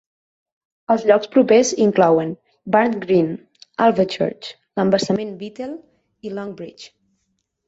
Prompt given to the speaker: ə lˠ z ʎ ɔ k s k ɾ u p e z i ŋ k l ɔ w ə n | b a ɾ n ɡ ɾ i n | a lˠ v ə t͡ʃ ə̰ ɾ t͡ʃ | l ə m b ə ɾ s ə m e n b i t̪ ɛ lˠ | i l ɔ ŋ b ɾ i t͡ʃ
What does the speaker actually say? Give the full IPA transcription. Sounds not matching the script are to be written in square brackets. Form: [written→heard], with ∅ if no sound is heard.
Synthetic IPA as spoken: ə lˠ z ʎ ɔ k s [k→p] ɾ u p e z i ŋ k l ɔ w ə n | b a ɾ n ɡ ɾ i n | a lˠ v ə t͡ʃ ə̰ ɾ t͡ʃ | l ə m b ə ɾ s ə m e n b i t̪ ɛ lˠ | i l ɔ ŋ b ɾ i t͡ʃ

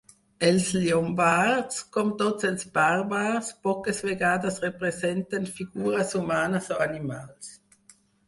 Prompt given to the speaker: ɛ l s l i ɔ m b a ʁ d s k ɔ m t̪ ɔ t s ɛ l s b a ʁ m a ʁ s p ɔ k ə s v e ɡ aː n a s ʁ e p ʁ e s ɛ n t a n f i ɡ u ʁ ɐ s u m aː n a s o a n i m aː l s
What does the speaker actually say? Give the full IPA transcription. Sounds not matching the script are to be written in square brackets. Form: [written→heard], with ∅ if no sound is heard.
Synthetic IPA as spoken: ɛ l s l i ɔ m b a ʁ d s k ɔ m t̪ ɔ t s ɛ l s b a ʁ [m→b] a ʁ s p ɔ k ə s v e ɡ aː [n→d] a s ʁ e p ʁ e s ɛ n t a n f i ɡ [u→uː] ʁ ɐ s u m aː n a s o a n i m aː l s

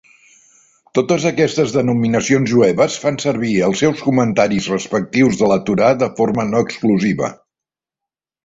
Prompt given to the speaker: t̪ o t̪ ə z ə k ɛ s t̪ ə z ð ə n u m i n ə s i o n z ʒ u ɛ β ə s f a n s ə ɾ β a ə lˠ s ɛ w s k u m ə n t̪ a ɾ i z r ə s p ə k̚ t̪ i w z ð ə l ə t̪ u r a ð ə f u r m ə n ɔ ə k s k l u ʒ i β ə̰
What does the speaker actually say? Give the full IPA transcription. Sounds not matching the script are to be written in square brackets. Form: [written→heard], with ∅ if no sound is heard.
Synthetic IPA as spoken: t̪ o t̪ ə z ə k ɛ s t̪ ə z ð ə n u m i n ə s i o n z ʒ u ɛ β ə s f a n s ə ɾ β [a→i] ə lˠ s ɛ w s k u m ə n t̪ a ɾ i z r ə s p ə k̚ t̪ i w z ð ə l ə t̪ u [r→ɾ] a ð ə f [u→o] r m ə n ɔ ə k s k l u [ʒ→z] i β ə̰

